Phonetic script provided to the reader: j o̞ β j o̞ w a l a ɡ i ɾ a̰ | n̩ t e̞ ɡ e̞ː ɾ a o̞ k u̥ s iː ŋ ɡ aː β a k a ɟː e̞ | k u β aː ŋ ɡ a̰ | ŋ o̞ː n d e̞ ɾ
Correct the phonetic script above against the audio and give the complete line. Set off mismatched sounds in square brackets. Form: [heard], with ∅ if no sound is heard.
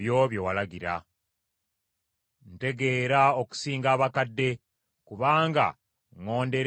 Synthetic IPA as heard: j o̞ β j o̞ w a l a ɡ i ɾ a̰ | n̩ t e̞ ɡ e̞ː ɾ a o̞ k u̥ s iː ŋ ɡ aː β a k a [dː] e̞ | k u β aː ŋ ɡ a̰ | ŋ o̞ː n d e̞ ɾ